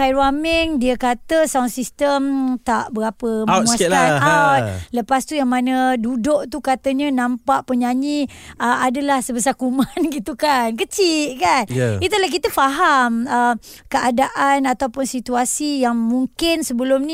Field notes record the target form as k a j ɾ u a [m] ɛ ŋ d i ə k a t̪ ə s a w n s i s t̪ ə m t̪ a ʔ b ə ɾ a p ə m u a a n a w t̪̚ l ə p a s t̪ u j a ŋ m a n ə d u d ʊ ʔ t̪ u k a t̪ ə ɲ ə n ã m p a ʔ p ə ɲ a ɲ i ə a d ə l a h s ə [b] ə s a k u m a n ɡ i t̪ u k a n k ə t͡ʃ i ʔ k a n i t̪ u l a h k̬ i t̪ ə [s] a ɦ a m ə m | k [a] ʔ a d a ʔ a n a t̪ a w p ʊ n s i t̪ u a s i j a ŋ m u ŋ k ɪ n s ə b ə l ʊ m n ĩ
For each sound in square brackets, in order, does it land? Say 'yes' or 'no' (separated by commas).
yes, yes, no, no